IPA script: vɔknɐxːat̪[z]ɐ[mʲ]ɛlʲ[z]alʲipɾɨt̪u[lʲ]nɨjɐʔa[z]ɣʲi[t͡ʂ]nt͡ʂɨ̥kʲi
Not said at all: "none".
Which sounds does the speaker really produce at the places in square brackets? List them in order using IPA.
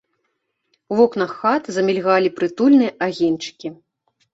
z, mʲ, ɣ, lʲ, none, none

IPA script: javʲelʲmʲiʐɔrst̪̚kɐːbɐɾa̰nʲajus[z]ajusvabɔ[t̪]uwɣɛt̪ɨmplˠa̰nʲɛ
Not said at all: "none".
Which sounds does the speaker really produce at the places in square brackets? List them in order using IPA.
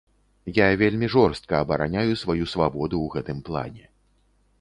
v, d̪

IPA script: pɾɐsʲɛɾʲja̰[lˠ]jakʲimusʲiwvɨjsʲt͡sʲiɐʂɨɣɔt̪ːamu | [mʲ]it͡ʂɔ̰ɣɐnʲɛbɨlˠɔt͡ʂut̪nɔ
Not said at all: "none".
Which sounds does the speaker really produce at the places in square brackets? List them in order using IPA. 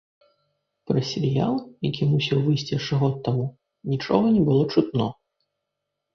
lˠ, nʲ

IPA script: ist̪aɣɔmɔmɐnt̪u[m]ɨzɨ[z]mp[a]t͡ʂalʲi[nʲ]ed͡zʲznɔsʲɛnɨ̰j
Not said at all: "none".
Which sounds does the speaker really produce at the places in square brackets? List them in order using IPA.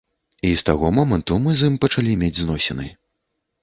m, none, ɐ, mʲ

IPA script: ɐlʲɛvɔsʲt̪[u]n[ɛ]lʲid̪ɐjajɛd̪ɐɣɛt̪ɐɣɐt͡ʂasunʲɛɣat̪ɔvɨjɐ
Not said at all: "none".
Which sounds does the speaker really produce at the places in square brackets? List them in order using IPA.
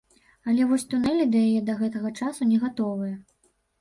u, ɛ

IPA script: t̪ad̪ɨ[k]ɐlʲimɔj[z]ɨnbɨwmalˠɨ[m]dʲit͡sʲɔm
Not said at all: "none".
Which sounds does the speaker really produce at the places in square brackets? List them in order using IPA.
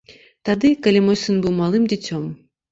k, s, m

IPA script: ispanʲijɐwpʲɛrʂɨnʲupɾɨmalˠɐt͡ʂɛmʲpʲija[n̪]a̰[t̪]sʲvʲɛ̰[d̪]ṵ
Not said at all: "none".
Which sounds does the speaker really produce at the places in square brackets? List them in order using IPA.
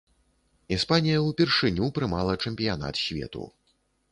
n̪, t̪, t̪

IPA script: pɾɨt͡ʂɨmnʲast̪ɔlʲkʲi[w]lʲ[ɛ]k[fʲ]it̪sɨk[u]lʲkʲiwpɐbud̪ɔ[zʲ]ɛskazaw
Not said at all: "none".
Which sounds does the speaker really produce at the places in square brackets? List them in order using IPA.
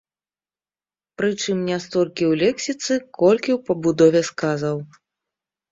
w, ɛ, sʲ, ɔ, vʲ

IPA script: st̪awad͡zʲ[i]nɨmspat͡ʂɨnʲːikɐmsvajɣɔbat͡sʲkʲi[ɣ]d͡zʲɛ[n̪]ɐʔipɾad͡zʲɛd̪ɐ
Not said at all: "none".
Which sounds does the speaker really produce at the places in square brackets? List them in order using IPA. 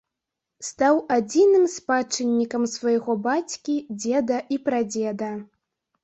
i, none, d̪

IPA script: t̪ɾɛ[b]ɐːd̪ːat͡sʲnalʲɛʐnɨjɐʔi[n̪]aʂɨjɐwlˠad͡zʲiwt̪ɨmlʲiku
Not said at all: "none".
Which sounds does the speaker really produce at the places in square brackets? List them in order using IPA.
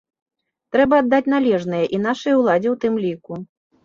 b, n̪

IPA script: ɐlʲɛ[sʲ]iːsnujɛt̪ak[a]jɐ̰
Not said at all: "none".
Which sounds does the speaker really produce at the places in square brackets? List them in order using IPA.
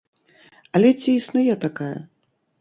t͡sʲ, a

